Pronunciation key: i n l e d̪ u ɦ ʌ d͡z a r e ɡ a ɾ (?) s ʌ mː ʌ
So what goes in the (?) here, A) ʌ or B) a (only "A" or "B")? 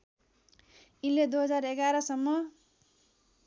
A